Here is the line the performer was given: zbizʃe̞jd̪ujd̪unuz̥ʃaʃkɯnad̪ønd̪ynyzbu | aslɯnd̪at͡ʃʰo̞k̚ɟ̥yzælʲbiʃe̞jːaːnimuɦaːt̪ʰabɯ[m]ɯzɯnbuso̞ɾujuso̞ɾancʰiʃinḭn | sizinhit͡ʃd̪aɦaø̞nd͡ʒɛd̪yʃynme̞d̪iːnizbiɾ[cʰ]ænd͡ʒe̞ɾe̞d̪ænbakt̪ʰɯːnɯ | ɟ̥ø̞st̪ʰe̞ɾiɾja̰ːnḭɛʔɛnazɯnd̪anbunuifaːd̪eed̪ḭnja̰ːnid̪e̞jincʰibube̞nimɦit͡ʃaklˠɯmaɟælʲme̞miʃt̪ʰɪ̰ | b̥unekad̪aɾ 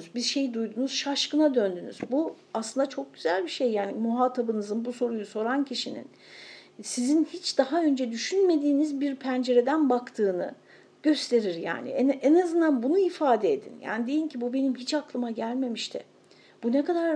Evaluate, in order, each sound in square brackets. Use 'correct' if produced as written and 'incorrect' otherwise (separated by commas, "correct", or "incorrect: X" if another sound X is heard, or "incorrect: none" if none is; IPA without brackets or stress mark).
incorrect: n, incorrect: pʰ